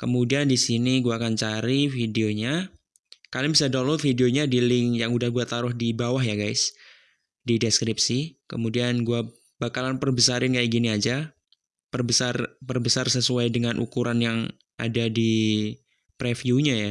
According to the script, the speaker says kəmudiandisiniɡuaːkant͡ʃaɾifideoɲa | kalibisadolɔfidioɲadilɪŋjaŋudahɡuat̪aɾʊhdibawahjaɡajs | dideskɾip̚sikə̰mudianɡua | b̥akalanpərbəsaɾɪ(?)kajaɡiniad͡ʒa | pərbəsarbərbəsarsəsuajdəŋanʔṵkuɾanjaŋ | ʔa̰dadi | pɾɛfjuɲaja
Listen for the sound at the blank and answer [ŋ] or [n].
n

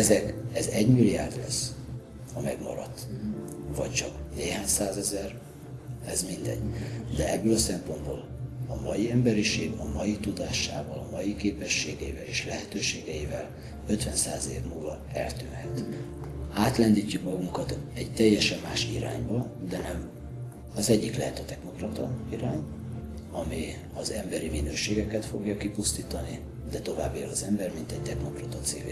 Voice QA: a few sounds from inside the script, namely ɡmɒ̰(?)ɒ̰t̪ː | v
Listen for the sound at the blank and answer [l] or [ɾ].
ɾ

